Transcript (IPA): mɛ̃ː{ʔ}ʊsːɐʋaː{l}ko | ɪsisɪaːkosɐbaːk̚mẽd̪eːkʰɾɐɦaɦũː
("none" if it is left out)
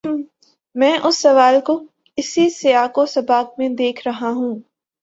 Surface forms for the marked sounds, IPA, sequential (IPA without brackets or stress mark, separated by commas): ʔ, l